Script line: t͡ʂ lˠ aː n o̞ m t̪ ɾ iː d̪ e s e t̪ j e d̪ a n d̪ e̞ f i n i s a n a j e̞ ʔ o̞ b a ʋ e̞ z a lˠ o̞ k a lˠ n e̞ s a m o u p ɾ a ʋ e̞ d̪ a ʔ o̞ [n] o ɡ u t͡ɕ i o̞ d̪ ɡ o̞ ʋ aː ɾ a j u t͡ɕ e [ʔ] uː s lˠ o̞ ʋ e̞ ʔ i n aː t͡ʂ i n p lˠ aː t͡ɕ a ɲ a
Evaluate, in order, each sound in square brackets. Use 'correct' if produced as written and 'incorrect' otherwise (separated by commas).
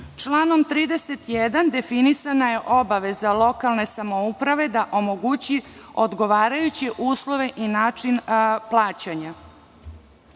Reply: incorrect, correct